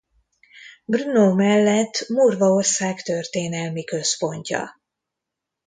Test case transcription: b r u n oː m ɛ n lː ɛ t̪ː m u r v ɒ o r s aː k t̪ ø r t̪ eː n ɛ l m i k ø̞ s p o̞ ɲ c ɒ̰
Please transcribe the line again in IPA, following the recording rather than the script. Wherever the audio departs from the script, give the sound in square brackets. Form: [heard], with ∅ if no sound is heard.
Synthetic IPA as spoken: b r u n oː m ɛ [∅] lː ɛ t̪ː m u r v ɒ o r s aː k t̪ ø r t̪ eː n ɛ l m i k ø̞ s p o̞ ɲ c ɒ̰